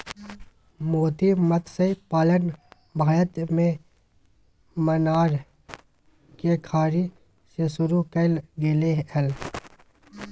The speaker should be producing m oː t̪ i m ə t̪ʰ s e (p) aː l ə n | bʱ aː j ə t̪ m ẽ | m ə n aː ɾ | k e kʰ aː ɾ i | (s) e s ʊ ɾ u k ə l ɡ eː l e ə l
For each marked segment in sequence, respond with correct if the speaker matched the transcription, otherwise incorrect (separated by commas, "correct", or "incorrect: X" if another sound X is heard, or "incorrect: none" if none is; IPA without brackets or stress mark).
correct, correct